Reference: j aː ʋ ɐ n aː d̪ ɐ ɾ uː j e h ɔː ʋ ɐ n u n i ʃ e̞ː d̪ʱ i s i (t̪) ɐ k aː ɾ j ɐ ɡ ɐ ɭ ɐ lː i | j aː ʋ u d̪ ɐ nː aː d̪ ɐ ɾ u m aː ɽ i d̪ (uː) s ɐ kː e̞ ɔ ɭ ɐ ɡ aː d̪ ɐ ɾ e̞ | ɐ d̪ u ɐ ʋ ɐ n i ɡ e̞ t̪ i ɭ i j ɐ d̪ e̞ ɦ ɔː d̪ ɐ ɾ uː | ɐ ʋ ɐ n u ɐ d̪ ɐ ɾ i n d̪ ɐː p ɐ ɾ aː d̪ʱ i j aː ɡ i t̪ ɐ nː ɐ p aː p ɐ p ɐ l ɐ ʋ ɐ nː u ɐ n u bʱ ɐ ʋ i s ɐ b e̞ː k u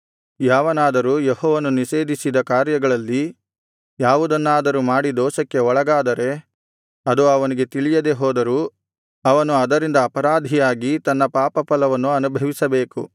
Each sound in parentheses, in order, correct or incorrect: incorrect, incorrect

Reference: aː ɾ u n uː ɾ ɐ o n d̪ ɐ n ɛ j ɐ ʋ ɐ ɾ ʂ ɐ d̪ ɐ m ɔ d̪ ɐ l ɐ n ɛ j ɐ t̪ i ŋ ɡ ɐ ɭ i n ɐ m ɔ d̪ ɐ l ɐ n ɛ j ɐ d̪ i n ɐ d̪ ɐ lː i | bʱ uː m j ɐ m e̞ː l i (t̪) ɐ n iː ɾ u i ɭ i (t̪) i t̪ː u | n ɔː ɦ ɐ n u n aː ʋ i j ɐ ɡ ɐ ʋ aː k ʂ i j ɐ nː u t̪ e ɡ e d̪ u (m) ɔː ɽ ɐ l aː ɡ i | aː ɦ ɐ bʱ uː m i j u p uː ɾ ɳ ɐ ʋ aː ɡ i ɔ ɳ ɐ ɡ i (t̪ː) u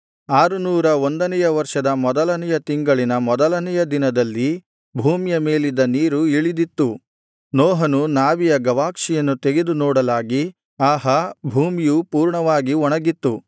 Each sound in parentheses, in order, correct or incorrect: incorrect, incorrect, incorrect, correct

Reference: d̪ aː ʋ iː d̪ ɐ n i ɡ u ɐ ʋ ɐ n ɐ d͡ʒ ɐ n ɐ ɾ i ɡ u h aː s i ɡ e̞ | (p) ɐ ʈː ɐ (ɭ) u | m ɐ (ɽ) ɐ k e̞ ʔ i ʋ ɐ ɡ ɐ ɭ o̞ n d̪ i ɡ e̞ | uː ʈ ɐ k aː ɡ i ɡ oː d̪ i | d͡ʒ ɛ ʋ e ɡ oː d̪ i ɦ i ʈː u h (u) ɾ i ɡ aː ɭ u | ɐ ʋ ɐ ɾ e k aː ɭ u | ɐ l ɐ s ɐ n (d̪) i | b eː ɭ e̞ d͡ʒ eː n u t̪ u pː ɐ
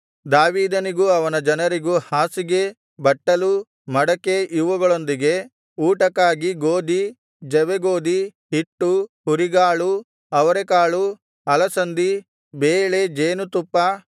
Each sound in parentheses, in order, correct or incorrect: incorrect, incorrect, correct, correct, correct

